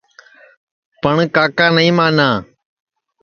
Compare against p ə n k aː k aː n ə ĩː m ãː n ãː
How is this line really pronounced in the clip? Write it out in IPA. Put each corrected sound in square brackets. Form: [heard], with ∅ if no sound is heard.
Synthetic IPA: p ə [ɳ] k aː k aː n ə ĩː m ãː n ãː